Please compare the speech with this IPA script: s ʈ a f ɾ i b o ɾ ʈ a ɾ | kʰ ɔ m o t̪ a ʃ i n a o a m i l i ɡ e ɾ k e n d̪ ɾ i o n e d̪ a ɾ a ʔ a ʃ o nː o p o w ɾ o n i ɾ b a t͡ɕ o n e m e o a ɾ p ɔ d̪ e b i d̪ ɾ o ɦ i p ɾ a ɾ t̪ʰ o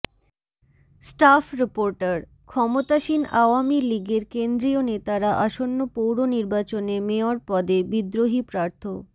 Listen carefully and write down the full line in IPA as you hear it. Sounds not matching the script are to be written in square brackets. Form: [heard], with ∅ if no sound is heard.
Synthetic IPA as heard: s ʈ a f ɾ i [p] o ɾ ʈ a ɾ | kʰ ɔ m o t̪ a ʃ i n a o a m i l i ɡ e ɾ k e n d̪ ɾ i o n e [t̪] a ɾ a ʔ a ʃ o nː o p o w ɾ o n i ɾ b a t͡ɕ o n e m e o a ɾ p ɔ d̪ e b i d̪ ɾ o ɦ i p ɾ a ɾ t̪ʰ o